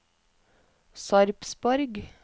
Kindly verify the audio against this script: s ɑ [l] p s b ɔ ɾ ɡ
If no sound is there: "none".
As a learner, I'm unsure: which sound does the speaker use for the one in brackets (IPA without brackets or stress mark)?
ɾ